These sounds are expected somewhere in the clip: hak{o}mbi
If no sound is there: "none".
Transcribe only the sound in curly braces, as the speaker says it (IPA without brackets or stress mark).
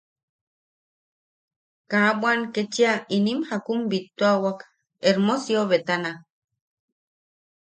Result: u